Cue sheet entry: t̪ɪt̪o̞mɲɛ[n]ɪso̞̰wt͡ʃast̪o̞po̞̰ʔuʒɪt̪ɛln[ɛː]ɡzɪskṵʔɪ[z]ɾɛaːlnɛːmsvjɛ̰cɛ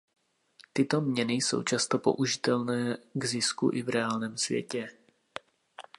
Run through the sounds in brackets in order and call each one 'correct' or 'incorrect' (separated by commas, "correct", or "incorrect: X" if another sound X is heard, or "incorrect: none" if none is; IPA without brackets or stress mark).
correct, correct, incorrect: v